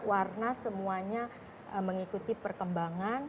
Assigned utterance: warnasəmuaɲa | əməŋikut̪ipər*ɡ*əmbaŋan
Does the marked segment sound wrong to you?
yes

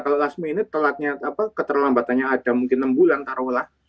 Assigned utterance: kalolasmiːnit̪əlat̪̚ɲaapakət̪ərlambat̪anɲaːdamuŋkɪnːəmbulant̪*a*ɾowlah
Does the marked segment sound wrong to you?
no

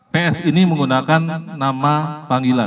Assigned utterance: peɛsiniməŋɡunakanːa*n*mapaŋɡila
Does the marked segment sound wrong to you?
yes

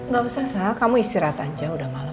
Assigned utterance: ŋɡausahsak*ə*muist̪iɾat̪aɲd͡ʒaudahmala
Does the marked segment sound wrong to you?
yes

